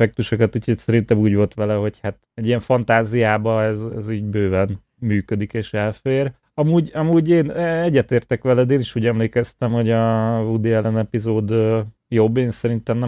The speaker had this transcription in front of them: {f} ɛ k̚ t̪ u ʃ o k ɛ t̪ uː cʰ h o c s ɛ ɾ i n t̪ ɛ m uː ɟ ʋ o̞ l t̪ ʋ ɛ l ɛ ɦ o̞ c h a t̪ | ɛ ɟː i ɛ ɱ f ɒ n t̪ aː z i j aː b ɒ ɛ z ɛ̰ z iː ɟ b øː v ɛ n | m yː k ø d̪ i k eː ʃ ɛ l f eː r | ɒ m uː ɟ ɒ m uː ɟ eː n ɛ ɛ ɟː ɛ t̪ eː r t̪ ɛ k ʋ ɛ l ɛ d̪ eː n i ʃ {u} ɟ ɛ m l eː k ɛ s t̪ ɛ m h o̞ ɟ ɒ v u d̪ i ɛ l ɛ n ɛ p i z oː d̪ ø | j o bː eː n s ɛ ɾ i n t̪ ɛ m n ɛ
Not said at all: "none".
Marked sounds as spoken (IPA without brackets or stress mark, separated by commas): f, uː